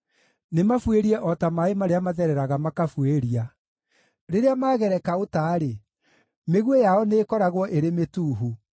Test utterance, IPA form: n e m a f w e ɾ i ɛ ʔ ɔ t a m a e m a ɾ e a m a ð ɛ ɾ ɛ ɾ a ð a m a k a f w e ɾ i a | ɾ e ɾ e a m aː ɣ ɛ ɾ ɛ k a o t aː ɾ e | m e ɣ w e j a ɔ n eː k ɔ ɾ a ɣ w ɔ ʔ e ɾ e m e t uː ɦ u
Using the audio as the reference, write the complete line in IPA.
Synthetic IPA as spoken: n e m a f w e ɾ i ɛ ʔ ɔ t a m a e m a ɾ e a m a ð ɛ ɾ ɛ ɾ a ɣ a m a k a f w e ɾ i a | ɾ e ɾ e a m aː ɣ ɛ ɾ ɛ k a o t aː ɾ e | m e ɣ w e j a ɔ n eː k ɔ ɾ a ɣ w ɔ ʔ e ɾ e m e t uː ɦ u